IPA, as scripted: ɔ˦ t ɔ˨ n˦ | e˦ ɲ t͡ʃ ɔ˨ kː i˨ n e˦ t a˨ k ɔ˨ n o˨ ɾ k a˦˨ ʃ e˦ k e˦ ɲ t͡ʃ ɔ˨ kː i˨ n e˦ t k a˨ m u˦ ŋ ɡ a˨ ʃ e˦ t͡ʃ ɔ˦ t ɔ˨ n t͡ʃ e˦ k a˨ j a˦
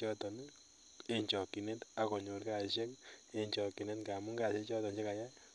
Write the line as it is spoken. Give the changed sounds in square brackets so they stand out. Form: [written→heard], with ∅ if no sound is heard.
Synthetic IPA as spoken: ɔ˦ t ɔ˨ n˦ | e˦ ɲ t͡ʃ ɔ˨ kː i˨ n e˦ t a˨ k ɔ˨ [n→ɲ] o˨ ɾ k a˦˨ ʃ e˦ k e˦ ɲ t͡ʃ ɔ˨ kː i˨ n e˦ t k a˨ m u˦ ŋ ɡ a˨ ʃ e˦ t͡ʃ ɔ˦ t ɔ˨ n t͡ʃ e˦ k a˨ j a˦